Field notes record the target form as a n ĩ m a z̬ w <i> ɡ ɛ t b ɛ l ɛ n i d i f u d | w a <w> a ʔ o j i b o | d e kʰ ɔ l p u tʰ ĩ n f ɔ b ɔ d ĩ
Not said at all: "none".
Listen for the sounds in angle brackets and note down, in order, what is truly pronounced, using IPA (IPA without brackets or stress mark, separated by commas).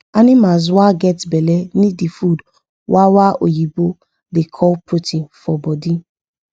a, w